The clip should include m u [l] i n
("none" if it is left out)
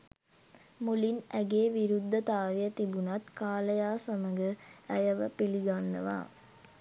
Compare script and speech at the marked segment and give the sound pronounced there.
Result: l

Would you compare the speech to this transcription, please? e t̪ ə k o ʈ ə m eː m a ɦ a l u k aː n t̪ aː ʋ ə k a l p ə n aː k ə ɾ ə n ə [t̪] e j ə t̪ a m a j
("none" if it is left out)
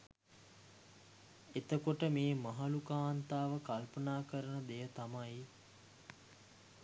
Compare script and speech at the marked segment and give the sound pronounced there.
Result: d̪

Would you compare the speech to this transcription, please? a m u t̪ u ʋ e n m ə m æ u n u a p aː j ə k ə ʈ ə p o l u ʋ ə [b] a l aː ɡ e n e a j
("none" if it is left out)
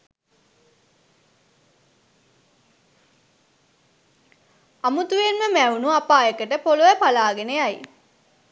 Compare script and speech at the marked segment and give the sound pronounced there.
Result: p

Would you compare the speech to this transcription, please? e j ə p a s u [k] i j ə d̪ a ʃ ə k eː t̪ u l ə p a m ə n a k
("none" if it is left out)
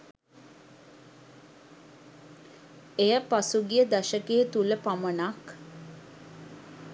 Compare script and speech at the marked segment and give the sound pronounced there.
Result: ɡ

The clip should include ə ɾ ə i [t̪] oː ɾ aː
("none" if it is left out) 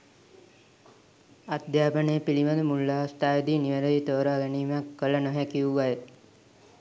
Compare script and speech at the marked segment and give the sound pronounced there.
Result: t̪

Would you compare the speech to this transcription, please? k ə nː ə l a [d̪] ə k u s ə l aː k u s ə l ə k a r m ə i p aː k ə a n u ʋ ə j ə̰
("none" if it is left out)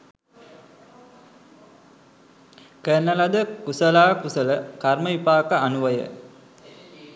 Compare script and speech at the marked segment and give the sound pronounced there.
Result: d̪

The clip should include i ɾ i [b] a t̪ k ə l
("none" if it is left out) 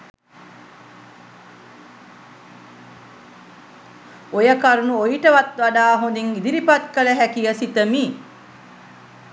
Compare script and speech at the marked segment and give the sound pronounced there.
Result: p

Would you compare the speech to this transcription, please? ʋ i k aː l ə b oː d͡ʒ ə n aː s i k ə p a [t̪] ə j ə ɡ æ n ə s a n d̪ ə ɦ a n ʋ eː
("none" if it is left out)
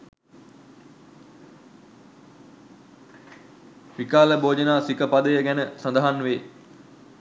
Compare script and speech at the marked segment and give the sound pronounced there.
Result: d̪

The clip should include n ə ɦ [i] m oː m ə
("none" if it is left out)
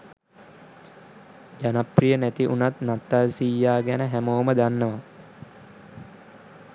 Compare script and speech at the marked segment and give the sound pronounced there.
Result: æ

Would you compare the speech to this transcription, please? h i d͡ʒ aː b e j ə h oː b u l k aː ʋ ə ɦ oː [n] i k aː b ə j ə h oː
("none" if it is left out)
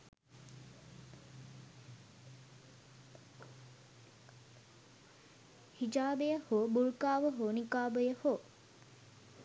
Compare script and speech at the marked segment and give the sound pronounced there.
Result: n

